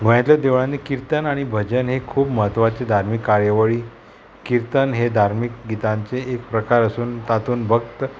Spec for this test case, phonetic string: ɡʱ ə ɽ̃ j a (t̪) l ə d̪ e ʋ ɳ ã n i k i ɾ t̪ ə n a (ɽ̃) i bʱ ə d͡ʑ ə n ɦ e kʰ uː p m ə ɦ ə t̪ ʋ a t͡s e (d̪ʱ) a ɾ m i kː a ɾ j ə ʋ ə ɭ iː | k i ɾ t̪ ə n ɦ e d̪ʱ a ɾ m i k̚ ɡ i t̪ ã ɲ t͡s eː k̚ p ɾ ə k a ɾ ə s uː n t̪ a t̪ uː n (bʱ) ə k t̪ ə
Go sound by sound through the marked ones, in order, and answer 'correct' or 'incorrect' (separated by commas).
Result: correct, correct, correct, correct